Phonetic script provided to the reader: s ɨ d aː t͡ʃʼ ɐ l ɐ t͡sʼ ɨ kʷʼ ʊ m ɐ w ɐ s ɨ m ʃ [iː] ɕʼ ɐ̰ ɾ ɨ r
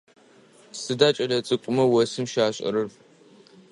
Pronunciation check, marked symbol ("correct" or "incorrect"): incorrect